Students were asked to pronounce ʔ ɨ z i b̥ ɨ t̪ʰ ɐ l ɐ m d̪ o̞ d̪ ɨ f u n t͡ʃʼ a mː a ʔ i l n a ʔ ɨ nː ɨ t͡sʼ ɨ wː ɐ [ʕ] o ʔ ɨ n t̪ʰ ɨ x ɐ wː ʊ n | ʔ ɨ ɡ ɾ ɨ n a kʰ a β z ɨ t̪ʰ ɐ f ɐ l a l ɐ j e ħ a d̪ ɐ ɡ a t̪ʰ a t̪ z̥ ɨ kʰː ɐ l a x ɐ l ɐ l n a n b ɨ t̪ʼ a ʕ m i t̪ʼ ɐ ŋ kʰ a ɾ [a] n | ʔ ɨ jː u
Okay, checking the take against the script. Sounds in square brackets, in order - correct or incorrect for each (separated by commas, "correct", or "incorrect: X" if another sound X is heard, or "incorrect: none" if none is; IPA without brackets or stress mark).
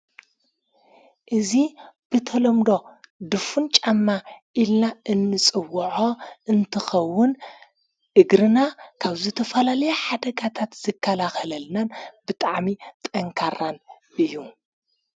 correct, correct